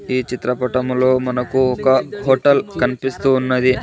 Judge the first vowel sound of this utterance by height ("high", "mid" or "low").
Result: high